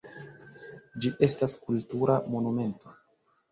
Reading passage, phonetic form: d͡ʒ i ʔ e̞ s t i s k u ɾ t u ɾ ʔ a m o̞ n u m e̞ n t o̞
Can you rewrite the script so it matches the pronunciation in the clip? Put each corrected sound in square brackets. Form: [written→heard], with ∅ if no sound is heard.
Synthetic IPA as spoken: d͡ʒ i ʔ e̞ s t [i→a] s k u [ɾ→l] t u ɾ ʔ a m o̞ n u m e̞ n t o̞